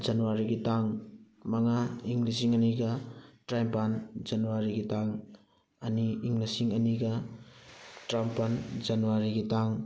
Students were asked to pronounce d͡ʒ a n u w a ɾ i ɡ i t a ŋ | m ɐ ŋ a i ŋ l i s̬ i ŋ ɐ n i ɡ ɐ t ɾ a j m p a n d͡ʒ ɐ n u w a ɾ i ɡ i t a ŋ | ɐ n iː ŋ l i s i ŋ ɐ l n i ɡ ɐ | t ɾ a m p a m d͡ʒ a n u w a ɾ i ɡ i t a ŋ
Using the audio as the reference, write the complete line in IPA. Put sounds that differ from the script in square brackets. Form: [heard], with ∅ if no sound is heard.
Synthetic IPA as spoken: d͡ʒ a n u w a ɾ i ɡ i t a ŋ | m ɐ ŋ a i ŋ l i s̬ i ŋ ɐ n i ɡ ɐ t ɾ a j m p a n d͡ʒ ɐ n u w a ɾ i ɡ i t a ŋ | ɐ n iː ŋ l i s i ŋ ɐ [∅] n i ɡ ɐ | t ɾ a m p a [n] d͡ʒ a n u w a ɾ i ɡ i t a ŋ